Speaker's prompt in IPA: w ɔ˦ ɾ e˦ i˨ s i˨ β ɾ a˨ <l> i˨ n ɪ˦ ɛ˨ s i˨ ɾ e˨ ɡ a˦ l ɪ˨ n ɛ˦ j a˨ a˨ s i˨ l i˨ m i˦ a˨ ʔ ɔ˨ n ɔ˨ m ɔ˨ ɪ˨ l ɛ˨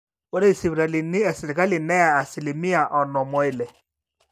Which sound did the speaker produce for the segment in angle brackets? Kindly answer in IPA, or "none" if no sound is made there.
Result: l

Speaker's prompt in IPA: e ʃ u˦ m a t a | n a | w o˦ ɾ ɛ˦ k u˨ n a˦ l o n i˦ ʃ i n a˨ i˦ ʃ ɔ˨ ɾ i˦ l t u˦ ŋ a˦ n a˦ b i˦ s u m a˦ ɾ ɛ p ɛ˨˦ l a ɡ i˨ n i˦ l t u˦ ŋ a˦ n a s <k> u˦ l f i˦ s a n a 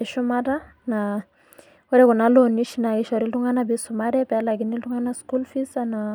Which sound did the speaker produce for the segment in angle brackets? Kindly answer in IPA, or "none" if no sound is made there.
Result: k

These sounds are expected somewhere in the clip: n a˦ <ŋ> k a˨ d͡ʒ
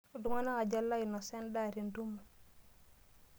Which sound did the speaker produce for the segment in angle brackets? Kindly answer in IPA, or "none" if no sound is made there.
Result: none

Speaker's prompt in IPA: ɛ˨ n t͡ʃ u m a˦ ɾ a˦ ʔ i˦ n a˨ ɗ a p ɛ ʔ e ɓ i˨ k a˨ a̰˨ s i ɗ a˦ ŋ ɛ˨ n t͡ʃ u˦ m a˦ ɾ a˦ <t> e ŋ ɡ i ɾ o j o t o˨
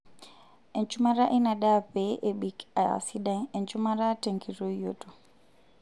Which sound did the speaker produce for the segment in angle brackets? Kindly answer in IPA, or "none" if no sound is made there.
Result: t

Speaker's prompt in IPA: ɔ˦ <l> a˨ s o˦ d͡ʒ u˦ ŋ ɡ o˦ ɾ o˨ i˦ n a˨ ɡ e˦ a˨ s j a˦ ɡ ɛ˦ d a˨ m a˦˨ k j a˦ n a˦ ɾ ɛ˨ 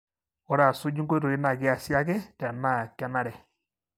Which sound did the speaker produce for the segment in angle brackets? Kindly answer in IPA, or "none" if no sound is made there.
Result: ɾ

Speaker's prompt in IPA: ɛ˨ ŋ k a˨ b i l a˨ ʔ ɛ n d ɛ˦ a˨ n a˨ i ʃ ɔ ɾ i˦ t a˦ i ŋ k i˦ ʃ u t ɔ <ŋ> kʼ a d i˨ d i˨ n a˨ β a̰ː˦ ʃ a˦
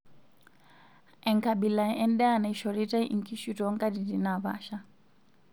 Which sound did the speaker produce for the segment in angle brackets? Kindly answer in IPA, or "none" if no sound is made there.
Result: ŋ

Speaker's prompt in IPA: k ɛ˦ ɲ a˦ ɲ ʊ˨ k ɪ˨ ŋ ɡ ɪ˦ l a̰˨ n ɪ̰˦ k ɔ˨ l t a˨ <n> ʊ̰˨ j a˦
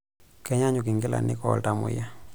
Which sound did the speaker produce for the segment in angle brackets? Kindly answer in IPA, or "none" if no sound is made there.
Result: m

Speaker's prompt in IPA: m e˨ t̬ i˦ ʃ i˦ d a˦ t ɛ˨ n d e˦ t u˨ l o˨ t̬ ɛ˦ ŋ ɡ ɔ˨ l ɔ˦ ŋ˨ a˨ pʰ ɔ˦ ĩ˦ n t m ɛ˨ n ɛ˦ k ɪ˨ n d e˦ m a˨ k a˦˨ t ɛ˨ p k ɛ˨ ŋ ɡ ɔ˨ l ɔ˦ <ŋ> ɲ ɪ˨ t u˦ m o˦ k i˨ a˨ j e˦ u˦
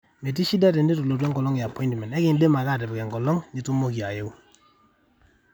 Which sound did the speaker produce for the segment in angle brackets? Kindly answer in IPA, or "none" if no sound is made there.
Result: ŋ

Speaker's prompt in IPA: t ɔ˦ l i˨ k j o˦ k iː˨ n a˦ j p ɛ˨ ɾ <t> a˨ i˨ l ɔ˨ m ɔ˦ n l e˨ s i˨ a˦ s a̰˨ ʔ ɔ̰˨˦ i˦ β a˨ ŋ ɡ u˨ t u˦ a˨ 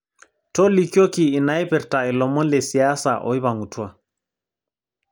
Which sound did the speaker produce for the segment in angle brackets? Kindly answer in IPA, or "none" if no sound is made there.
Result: t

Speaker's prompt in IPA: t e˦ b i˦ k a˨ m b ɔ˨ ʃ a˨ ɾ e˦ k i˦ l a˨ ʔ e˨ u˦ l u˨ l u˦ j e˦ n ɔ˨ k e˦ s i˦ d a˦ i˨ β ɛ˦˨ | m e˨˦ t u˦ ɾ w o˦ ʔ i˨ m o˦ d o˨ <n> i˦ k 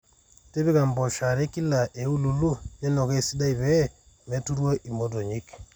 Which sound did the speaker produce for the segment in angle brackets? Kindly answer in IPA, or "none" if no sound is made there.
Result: ɲ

